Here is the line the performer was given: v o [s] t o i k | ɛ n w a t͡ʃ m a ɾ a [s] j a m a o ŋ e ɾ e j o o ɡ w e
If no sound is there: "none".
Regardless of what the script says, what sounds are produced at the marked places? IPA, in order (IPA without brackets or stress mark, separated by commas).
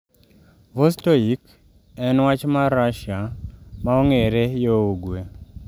s, ʃ